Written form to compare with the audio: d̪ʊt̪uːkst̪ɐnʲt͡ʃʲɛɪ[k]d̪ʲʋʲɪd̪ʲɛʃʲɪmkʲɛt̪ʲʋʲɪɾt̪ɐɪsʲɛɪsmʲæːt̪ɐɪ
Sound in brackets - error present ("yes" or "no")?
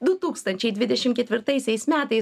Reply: yes